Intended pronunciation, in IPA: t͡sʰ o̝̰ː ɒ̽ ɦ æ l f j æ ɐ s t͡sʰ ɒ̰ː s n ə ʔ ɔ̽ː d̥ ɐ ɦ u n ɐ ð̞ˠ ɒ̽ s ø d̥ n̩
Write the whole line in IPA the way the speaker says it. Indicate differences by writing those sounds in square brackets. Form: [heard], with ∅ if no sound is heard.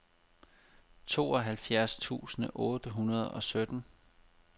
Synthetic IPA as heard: t͡sʰ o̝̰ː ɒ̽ ɦ æ l f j æ ɐ s t͡sʰ [ṵː] s n ə ʔ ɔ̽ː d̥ [ə] ɦ u n ɐ ð̞ˠ ɒ̽ s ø d̥ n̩